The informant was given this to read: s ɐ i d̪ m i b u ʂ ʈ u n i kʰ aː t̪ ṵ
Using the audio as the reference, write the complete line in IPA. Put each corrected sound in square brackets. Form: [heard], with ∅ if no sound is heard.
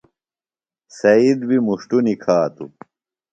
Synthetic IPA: s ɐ i d̪ [b] i [m] u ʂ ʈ u n i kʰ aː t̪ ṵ

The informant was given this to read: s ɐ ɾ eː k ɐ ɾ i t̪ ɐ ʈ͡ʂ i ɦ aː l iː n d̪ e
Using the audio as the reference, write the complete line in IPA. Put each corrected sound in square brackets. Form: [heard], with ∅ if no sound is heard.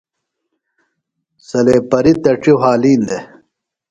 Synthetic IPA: s ɐ [l] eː [p] ɐ ɾ i t̪ ɐ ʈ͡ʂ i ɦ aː l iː n d̪ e

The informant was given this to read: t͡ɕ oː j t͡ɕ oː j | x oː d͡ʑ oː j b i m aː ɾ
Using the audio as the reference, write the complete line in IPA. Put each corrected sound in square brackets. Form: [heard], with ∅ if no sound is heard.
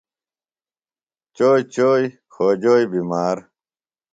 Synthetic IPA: t͡ɕ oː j t͡ɕ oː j | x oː d͡ʑ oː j b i m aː ɾ

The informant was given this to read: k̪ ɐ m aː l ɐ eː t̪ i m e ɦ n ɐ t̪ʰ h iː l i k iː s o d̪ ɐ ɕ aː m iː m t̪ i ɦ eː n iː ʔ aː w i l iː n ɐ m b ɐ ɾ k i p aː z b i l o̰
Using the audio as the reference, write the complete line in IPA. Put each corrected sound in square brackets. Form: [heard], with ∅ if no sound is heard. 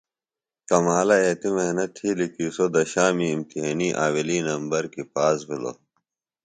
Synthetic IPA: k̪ ɐ m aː l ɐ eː t̪ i m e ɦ n ɐ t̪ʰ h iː l i k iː s o d̪ ɐ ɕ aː m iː m t̪ i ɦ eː n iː ʔ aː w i l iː n ɐ m b ɐ ɾ k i p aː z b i l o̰

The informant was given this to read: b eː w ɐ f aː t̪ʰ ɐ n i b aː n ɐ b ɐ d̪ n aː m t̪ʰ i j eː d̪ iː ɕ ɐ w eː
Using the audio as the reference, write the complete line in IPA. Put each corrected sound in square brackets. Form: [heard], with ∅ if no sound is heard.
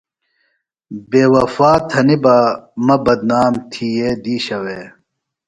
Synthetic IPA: b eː w ɐ f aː t̪ʰ ɐ n i b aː [m] ɐ b ɐ d̪ n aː m t̪ʰ i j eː d̪ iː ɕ ɐ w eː

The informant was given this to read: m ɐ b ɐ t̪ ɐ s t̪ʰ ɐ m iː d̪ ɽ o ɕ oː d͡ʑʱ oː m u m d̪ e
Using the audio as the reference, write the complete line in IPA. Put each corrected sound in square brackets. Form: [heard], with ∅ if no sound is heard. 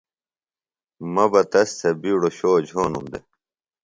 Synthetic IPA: m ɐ b ɐ t̪ ɐ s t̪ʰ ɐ [b] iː [∅] ɽ o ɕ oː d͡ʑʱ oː [n] u m d̪ e

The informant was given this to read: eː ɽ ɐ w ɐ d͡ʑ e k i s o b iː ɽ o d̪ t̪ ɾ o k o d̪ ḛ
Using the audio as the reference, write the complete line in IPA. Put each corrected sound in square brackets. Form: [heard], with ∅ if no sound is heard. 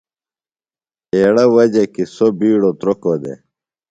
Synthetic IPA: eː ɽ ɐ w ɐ d͡ʑ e k i s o b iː ɽ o [∅] t̪ ɾ o k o d̪ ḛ

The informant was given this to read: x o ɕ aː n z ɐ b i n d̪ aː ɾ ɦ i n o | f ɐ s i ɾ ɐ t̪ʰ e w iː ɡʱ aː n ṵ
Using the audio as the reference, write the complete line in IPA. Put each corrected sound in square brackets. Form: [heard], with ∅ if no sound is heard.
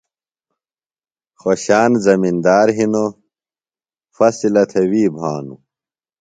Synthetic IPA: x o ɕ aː n z ɐ [m] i n d̪ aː ɾ ɦ i n o | f ɐ s i [l] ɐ t̪ʰ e w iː [bʱ] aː n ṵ

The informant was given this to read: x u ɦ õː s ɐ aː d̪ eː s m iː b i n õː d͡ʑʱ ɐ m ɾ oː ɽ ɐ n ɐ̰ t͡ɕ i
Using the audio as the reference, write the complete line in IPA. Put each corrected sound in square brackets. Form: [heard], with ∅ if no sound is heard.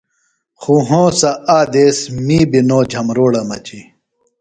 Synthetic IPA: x u ɦ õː s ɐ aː d̪ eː s m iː b i n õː d͡ʑʱ ɐ m ɾ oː ɽ ɐ [m] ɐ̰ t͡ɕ i

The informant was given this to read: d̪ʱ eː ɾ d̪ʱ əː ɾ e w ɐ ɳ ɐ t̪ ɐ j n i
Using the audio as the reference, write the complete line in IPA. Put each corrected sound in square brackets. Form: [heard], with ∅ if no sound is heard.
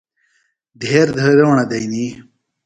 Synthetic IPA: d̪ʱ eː ɾ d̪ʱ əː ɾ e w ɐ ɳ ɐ [d̪] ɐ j n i

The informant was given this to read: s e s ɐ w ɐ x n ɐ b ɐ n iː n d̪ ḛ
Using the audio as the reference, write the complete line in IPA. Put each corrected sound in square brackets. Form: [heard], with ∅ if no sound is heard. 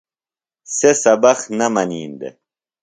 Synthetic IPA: s e s ɐ [b] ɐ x n ɐ [m] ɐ n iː n d̪ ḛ

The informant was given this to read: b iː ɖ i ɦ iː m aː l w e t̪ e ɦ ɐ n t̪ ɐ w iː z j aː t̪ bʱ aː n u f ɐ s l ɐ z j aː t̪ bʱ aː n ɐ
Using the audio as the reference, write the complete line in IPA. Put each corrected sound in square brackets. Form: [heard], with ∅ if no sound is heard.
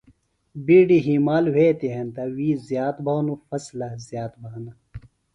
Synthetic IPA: b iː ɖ i ɦ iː m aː l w e t̪ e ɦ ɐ n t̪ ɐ w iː z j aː t̪ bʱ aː n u f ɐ s l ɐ z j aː t̪ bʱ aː n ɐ

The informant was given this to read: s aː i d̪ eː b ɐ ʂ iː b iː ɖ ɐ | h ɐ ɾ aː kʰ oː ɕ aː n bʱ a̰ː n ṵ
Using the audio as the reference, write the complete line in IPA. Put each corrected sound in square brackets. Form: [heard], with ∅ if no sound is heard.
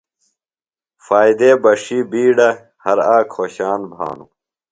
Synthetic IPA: [f] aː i d̪ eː b ɐ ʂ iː b iː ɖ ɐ | h ɐ ɾ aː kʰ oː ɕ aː n bʱ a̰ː n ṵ

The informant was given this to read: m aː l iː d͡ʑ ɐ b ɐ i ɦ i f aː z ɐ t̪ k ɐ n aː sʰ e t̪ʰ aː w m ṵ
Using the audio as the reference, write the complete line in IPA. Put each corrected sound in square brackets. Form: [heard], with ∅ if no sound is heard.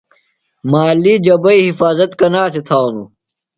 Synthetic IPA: m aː l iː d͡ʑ ɐ b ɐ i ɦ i f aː z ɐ t̪ k ɐ n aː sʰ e t̪ʰ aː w [n] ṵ

